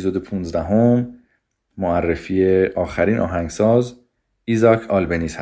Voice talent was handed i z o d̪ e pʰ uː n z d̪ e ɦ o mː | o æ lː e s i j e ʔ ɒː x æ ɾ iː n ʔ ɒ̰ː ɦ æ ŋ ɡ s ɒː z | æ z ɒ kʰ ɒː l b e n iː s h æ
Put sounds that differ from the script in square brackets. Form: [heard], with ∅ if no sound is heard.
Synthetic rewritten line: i z o d̪ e pʰ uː n z d̪ [æ] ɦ o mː | o æ [rː] e [f] i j e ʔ ɒː x æ ɾ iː n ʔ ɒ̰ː ɦ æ ŋ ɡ s ɒː z | [i] z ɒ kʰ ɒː l b e n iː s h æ